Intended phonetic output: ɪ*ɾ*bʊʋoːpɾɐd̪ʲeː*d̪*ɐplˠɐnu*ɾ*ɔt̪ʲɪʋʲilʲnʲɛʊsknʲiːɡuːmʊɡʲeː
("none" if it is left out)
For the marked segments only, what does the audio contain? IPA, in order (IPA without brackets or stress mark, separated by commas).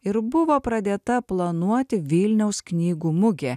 ɾ, t̪, none